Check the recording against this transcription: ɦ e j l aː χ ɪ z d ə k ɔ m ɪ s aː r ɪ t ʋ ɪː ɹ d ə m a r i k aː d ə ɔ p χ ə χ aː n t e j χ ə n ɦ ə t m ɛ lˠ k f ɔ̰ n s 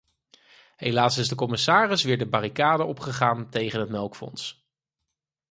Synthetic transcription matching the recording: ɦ e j l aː s ɪ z d ə k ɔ m ɪ s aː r ɪ s ʋ ɪː ɹ d ə b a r i k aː d ə ɔ p χ ə χ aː n t e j χ ə n ɦ ə t m ɛ lˠ k f ɔ̰ n s